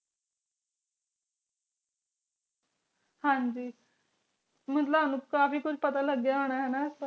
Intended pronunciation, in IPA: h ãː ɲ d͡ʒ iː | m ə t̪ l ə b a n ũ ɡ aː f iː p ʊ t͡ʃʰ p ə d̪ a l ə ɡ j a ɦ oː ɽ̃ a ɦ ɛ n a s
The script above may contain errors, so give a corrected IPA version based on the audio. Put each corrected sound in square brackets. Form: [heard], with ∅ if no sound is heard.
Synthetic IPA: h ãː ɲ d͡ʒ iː | m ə t̪ l ə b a n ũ [k] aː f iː [k] ʊ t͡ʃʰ p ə [t̪] a l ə ɡ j a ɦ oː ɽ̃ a ɦ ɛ n a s